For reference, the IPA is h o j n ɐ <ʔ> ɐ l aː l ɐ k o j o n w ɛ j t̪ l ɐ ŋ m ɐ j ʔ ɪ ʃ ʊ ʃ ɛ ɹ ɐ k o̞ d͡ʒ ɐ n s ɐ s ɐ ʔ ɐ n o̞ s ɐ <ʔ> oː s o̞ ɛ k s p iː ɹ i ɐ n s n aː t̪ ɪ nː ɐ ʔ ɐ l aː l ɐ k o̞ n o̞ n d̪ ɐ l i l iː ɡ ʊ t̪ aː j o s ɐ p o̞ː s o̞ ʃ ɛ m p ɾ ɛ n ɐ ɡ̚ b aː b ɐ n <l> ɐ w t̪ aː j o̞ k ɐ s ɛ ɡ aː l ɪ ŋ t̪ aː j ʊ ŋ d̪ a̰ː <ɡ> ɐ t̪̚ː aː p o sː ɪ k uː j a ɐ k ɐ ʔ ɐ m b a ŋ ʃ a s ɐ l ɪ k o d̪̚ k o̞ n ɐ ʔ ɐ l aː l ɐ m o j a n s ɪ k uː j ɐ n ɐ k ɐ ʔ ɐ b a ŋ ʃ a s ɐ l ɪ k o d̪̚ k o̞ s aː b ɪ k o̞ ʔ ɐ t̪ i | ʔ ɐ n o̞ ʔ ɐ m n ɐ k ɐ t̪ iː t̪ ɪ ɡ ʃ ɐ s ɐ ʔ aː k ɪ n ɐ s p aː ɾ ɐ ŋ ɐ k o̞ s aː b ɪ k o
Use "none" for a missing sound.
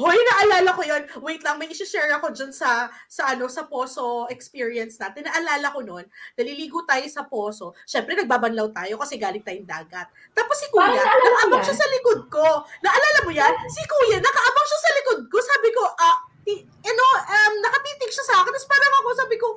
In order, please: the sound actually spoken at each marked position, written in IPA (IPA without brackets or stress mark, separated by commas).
ʔ, p, l, ɡ